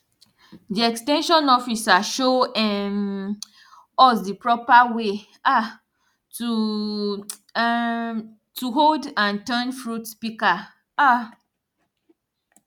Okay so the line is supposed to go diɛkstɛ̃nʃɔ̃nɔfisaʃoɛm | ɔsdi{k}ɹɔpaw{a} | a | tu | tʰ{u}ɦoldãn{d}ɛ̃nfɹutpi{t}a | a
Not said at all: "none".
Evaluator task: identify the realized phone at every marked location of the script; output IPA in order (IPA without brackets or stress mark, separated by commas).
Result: p, e, u, t, k